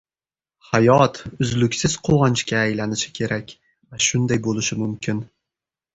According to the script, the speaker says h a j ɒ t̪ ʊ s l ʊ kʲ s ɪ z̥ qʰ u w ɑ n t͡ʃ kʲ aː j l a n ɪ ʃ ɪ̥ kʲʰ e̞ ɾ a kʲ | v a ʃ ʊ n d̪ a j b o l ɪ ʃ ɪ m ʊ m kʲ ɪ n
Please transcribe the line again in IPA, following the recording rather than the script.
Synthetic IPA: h a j ɒ t̪ ʊ z l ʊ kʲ s ɪ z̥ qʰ o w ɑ n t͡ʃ kʲ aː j l a n ɪ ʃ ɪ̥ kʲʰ e̞ ɾ a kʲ | v a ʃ ʊ n d̪ a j b o l ɪ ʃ ɪ m ʊ m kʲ ɪ n